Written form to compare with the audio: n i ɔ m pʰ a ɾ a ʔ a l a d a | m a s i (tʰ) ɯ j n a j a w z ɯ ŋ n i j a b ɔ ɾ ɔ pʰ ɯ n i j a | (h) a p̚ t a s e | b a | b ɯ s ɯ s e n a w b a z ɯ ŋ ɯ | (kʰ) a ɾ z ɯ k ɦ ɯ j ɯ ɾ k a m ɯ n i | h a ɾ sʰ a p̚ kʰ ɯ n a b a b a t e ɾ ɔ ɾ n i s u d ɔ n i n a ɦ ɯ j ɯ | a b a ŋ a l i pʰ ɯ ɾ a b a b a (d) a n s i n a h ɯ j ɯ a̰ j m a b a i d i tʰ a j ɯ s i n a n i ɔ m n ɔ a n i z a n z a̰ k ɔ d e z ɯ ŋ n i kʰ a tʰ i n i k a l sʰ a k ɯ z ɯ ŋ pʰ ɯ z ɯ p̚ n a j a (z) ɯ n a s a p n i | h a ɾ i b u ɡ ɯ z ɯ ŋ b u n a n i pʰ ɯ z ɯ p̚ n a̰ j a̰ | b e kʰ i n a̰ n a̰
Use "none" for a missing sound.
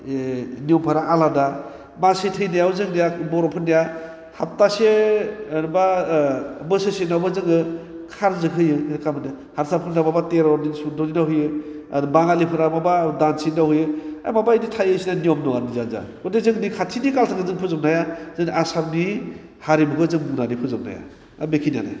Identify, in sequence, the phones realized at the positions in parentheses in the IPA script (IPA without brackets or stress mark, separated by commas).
tʰ, h, kʰ, d, z